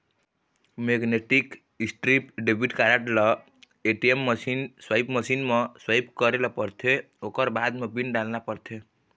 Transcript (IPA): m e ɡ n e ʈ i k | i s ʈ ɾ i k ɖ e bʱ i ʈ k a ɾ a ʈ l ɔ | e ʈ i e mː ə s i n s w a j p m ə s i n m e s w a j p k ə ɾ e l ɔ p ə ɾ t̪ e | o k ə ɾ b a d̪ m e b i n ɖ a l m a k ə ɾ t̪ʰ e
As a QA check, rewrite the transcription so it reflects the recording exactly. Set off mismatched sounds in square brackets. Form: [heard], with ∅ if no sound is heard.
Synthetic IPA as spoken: m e ɡ n e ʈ i k | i s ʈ ɾ i [p] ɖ e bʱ i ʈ k a ɾ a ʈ l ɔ | e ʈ i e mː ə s i n s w a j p m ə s i n m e s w a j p k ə ɾ e l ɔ p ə ɾ [t̪ʰ] e | o k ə ɾ b a d̪ m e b i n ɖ a l [n] a [p] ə ɾ t̪ʰ e